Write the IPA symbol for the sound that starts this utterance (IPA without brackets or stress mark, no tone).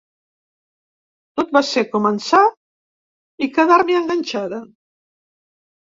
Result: t̪